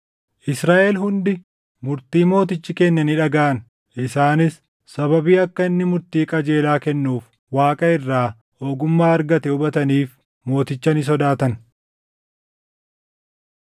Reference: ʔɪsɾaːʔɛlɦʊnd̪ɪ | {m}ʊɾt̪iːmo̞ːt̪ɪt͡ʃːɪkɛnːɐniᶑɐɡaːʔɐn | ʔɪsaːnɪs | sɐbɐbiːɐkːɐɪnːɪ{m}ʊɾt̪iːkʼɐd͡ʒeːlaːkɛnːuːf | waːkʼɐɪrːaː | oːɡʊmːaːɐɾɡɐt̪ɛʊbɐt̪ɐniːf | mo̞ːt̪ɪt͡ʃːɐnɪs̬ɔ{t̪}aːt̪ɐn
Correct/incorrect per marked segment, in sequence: correct, correct, incorrect: d̪

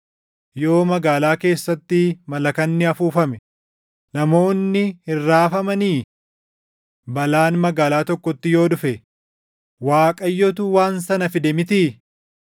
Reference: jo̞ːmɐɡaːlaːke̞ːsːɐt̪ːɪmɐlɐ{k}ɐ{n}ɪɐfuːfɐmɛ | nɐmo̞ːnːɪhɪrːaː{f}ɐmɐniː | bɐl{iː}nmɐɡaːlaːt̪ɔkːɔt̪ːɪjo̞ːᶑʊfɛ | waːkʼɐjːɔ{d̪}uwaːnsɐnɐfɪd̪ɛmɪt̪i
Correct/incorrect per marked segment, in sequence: correct, incorrect: nː, correct, incorrect: aː, incorrect: t̪

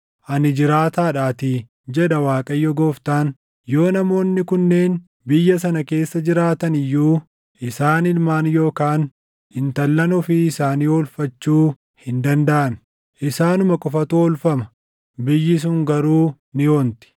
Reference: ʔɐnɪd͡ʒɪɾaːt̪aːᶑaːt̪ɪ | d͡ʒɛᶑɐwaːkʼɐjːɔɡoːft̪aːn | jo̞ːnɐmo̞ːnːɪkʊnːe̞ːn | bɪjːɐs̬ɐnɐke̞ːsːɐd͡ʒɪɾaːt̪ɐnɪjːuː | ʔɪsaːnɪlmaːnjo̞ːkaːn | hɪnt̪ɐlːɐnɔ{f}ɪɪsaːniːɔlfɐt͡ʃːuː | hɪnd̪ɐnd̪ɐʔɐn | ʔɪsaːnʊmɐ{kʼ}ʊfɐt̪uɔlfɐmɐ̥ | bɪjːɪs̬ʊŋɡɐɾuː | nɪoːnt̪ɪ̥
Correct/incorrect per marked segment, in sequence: correct, correct

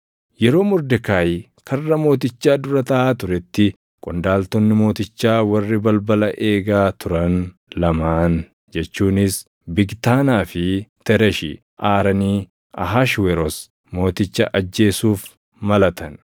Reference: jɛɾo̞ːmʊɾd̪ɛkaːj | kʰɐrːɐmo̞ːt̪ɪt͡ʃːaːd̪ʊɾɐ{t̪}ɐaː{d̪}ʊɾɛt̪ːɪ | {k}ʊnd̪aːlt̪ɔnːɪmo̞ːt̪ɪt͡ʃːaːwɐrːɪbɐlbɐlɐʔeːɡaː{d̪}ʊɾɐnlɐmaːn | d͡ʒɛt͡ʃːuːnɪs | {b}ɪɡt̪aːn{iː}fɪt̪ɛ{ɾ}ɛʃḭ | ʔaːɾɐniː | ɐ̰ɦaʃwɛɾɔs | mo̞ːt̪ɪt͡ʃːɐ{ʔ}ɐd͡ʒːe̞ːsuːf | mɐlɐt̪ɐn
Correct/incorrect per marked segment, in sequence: correct, incorrect: t̪, incorrect: kʼ, incorrect: t̪, correct, incorrect: aː, correct, correct

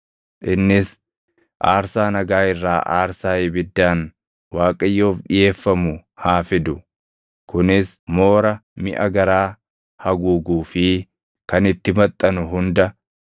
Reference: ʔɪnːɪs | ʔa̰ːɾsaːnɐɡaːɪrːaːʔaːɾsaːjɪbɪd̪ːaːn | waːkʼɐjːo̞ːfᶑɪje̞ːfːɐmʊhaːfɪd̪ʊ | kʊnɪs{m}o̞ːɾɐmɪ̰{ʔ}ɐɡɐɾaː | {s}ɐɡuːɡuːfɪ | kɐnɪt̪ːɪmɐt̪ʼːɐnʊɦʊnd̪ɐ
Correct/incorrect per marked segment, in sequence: correct, correct, incorrect: h

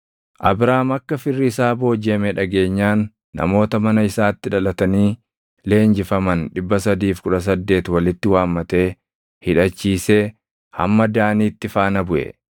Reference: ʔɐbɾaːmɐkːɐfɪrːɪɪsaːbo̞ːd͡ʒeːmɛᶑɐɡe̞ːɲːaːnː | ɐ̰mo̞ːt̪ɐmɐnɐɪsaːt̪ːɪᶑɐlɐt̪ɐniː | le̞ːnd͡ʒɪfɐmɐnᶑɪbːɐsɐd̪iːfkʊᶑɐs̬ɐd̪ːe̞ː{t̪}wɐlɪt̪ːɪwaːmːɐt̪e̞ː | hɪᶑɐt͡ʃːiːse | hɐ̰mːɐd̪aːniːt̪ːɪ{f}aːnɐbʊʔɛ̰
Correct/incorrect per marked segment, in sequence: correct, correct

